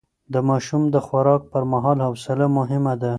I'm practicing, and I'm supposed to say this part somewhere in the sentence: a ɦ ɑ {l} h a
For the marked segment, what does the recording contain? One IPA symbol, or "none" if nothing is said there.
l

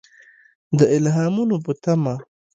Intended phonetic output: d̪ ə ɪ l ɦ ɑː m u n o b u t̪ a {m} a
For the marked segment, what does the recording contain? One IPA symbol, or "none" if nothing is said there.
m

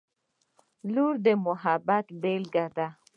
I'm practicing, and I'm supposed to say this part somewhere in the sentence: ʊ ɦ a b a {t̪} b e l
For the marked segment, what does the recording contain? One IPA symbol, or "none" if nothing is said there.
t̪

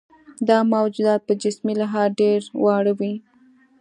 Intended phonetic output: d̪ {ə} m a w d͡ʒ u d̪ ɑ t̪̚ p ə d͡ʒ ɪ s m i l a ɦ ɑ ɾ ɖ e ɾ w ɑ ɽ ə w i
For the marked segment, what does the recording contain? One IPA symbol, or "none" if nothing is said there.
ɑ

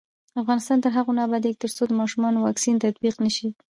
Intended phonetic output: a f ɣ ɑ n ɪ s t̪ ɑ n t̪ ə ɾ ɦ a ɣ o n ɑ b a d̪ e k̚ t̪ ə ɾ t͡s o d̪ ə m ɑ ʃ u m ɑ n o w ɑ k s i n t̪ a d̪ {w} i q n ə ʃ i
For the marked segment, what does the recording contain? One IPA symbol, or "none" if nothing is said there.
b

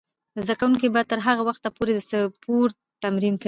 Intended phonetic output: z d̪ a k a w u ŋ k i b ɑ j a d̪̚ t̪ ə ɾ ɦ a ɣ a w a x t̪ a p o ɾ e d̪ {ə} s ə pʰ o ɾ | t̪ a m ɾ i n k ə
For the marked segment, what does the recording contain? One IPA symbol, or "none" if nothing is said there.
ə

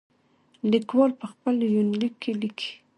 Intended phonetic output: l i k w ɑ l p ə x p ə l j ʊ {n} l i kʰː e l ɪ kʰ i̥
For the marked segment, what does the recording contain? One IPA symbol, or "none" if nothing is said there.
n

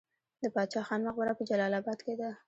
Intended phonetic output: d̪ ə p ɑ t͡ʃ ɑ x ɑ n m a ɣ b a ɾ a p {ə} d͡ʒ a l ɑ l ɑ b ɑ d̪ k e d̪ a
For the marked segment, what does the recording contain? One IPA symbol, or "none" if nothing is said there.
ə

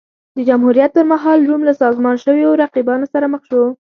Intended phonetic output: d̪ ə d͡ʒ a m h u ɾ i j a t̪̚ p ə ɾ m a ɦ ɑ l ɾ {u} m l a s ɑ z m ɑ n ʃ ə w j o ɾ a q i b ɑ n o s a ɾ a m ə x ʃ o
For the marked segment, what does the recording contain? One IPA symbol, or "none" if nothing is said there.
u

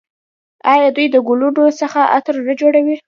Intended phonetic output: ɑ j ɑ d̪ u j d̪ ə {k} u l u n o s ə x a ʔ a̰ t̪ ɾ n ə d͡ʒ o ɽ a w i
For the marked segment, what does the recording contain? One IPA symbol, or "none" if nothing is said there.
ɡ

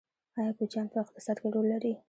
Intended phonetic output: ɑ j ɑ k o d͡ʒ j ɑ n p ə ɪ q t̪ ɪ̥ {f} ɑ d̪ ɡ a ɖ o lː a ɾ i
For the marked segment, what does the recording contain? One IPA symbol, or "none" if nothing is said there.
s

